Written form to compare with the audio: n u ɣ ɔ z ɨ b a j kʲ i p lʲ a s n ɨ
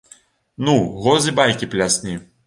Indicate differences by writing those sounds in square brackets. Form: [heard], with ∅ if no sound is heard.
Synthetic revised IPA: n u ɣ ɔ z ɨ b a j kʲ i p lʲ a s n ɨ